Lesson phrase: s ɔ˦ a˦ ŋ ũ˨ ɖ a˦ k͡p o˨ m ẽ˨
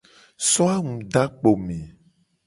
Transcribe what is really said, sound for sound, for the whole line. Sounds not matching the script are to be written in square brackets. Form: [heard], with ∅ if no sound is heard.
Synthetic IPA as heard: s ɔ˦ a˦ ŋ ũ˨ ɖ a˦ k͡p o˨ m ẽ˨